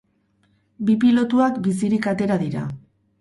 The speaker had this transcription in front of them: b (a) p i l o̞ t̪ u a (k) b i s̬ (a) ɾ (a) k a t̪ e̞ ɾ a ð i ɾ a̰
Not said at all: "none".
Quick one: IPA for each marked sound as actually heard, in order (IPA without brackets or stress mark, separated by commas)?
i, k, i, i